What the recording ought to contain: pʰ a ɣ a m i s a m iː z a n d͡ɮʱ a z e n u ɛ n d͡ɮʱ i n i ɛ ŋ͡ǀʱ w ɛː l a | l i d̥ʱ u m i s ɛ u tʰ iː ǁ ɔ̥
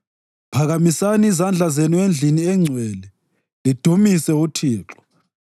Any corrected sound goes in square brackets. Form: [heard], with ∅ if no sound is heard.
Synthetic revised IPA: pʰ a ɣ a m i s a [n] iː z a n d͡ɮʱ a z e n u [e] n d͡ɮʱ i n i ɛ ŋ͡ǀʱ w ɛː l [ɛ] | l i d̥ʱ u m i s ɛ u tʰ iː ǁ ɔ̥